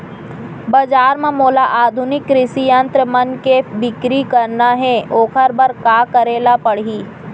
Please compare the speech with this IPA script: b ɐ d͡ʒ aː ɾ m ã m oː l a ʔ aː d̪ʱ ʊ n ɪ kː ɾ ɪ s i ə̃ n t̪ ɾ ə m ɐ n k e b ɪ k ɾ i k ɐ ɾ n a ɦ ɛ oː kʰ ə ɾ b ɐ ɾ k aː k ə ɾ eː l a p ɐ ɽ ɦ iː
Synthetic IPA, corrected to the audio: b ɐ d͡ʒ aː ɾ m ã m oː l a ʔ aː d̪ʱ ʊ n ɪ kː ɾ ɪ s i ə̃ n t̪ ɾ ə m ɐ n k e b ɪ k ɾ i k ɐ ɾ n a ɦ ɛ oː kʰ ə ɾ b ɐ ɾ k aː k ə ɾ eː l a p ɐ ɽ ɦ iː